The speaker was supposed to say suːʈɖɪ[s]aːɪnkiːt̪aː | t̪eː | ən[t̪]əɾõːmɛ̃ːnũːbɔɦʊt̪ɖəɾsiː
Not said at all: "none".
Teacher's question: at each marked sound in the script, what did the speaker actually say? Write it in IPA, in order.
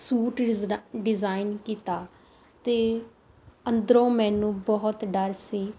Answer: z, d̪

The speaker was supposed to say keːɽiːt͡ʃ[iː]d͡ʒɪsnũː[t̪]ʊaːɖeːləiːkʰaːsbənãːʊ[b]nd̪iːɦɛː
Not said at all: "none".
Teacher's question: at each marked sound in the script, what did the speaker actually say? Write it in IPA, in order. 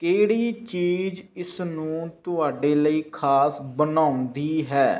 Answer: iː, t̪, none

